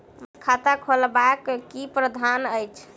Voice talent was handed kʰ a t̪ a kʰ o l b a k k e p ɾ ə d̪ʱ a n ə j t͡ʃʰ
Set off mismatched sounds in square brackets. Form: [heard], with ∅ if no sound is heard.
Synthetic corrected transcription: kʰ a t̪ a kʰ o l b a k k [i] p ɾ ə d̪ʱ a n ə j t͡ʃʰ